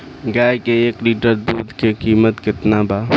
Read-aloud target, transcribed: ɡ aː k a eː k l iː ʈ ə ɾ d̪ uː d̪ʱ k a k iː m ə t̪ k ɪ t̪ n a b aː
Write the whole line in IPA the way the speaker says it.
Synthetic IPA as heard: ɡ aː k e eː k l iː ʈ ə ɾ d̪ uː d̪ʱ k e k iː m ə t̪ k ɪ t̪ n a b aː